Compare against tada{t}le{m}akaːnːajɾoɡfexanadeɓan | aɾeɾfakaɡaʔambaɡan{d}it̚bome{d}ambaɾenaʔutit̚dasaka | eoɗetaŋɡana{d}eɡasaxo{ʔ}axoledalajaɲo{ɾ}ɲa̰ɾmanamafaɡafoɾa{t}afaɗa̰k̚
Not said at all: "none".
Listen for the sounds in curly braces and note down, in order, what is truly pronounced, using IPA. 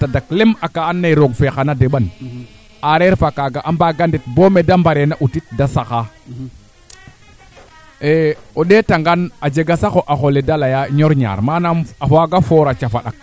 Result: k, m, d, d, d͡ʒ, ʔ, ɾ, t͡ʃ

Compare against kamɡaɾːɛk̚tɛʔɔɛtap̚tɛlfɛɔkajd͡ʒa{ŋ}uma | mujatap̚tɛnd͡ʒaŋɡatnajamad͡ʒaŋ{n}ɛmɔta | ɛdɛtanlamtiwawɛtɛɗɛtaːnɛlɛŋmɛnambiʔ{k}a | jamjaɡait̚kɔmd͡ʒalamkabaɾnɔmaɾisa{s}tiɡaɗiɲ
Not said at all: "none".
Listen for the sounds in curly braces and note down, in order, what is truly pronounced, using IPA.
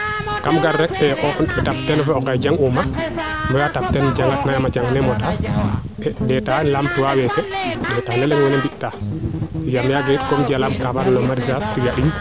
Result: ŋ, n, t, s

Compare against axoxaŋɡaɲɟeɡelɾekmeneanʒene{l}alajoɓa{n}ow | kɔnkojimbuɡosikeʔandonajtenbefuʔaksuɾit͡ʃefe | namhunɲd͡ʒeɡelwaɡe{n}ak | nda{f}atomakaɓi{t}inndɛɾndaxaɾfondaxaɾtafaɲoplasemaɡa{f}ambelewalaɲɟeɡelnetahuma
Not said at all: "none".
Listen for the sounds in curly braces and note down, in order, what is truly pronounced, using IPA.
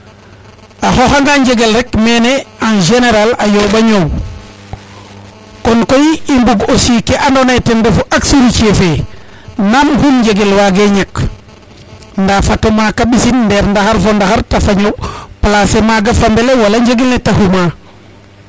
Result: ɾ, ɲ, ɲ, f, s, f

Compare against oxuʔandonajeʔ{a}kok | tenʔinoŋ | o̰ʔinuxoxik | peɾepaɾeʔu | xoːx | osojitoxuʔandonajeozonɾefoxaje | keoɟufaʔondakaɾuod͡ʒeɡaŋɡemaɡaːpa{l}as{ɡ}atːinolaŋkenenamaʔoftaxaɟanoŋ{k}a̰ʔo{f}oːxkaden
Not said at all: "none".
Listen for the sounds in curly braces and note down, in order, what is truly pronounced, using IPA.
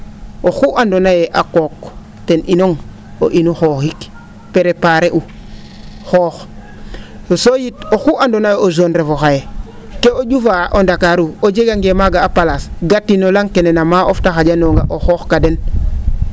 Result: a, l, ɡ, ɡ, x

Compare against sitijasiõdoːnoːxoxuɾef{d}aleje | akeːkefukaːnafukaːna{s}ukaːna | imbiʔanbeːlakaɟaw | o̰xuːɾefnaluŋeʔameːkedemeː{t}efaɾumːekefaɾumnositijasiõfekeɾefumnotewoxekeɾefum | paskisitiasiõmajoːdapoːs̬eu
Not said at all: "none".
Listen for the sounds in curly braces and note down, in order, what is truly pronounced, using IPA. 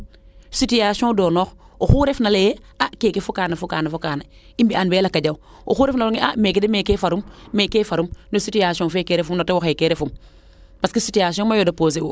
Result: n, f, k

